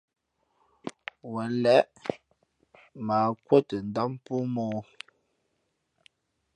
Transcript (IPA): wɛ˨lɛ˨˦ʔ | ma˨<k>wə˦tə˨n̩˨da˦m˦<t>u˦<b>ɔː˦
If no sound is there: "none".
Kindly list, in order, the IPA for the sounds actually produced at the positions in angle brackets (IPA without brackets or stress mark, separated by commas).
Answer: k, p, m